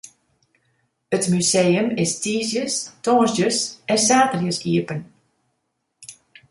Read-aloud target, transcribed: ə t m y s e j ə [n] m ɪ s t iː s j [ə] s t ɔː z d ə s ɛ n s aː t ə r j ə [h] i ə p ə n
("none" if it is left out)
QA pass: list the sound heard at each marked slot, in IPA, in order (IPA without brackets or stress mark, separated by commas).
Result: none, ə, s